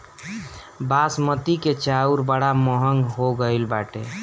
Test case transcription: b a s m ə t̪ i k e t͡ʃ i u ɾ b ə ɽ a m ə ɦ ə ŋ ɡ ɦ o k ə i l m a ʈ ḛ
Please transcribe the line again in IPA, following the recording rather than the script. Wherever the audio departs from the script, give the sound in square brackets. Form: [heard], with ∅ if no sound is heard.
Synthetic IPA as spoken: b a s m ə t̪ i k e t͡ʃ [a] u ɾ b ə ɽ a m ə ɦ ə ŋ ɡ ɦ o [ɡ] ə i l [b] a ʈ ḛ